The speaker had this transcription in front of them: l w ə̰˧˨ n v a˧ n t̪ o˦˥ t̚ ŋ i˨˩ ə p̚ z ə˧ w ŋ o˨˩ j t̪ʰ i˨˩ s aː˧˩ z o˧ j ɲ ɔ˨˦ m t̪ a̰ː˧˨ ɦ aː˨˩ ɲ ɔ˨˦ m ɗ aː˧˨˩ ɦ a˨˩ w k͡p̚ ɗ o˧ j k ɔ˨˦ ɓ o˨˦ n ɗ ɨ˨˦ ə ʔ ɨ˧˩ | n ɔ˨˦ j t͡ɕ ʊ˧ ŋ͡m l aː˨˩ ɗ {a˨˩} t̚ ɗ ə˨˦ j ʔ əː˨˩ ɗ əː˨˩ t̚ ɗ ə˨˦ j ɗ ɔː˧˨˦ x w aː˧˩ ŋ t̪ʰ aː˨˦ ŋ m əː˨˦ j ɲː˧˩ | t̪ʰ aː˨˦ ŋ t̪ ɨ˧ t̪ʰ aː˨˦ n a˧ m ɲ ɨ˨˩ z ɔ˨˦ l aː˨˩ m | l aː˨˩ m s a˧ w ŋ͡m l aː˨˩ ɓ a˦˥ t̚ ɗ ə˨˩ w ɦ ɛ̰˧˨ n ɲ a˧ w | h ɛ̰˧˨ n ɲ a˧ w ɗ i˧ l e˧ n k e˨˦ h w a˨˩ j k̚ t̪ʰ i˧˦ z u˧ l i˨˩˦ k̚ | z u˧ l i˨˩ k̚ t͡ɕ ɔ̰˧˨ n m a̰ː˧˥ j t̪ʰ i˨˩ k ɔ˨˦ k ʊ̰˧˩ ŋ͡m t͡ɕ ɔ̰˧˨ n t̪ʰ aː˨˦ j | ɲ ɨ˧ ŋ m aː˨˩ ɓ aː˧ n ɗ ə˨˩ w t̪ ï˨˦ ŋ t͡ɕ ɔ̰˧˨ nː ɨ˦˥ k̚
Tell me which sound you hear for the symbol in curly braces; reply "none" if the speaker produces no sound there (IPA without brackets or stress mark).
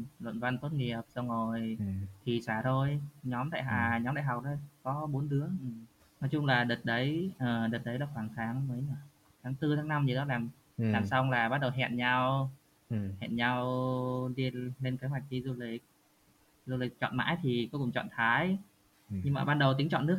ə˨˩